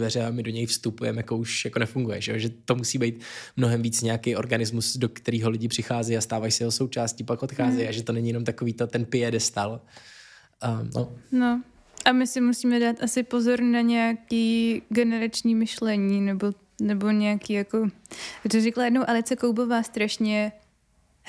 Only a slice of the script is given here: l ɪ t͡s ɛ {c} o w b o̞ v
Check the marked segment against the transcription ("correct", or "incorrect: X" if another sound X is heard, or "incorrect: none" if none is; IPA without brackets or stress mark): incorrect: k